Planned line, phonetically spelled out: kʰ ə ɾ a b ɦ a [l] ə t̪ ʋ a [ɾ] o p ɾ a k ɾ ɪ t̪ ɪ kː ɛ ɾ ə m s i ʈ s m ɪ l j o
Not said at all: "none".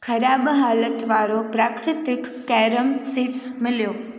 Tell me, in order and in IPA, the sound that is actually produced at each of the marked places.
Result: l, ɾ

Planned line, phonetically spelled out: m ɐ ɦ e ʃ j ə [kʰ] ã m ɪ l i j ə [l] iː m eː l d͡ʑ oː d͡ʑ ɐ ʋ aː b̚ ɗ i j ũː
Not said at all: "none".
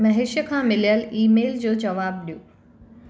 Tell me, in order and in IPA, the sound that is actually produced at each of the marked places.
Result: kʰ, l

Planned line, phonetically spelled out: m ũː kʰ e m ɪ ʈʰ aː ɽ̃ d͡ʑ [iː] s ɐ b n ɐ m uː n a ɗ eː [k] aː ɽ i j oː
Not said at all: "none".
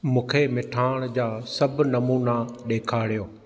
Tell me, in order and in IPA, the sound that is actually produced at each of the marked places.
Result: aː, kʰ

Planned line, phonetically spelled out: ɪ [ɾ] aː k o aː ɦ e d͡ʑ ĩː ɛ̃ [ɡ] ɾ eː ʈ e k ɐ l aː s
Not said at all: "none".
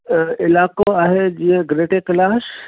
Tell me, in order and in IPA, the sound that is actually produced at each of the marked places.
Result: l, ɡ

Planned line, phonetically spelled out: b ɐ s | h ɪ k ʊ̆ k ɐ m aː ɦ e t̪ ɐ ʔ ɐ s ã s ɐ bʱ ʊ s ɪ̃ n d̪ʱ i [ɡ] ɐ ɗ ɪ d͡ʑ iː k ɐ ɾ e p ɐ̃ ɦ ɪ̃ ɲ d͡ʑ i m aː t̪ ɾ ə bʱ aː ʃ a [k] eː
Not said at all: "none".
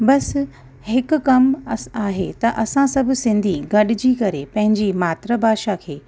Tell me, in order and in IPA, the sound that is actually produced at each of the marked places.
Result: ɡ, kʰ

